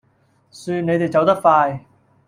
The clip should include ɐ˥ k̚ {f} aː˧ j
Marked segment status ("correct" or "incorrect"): correct